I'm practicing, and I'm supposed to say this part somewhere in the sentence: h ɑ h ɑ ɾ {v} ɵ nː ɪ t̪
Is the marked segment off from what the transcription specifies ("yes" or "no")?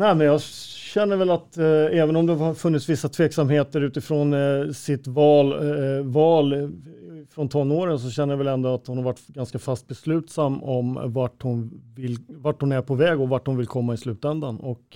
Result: yes